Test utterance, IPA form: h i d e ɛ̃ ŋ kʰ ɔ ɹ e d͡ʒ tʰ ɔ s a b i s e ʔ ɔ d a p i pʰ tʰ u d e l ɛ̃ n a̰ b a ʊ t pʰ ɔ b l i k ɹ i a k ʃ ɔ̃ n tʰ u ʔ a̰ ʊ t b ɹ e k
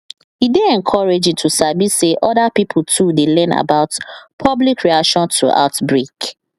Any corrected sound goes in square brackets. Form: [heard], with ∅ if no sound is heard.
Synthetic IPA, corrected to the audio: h i d e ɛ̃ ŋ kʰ ɔ ɹ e d͡ʒ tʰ [u] s a b i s e ʔ ɔ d a p i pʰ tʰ u d e l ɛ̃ n a̰ b a ʊ t pʰ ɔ b l i k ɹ i a k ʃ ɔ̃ n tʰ u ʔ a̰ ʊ t b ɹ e k